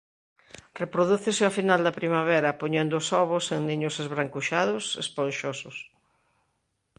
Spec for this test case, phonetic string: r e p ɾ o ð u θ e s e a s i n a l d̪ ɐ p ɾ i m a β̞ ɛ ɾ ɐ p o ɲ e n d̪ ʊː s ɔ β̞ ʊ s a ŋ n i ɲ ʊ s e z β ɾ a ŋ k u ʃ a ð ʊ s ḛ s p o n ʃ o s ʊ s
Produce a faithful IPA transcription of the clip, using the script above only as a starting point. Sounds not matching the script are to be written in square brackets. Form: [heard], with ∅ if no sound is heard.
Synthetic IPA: r e p ɾ o ð u θ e s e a [f] i n a l d̪ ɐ p ɾ i m a β̞ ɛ ɾ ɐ p o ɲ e n d̪ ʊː s ɔ β̞ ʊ s [e] ŋ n i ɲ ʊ s e z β ɾ a ŋ k u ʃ a ð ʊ s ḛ s p o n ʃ o s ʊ s